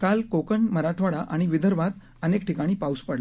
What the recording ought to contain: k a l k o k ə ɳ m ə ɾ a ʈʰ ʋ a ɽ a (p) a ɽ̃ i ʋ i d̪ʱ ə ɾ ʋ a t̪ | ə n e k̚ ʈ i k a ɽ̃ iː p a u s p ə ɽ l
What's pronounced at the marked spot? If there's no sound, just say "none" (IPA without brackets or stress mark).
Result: ʔ